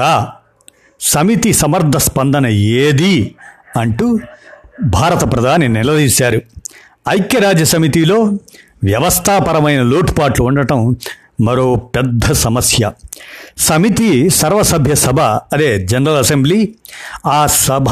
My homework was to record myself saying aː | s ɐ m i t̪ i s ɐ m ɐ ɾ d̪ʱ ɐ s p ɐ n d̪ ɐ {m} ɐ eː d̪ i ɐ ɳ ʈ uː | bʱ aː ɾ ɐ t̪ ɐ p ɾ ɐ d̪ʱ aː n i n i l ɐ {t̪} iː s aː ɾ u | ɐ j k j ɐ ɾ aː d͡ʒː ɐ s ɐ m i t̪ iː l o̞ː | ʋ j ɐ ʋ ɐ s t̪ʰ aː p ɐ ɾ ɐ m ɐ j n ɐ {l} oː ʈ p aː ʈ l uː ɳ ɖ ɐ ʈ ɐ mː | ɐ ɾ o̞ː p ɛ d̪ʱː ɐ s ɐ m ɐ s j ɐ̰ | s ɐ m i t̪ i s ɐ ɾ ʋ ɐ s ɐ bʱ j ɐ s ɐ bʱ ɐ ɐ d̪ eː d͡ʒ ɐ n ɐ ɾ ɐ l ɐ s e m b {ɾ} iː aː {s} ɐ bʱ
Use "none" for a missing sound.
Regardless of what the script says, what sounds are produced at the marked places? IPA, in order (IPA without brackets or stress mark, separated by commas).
n, d̪, l, l, s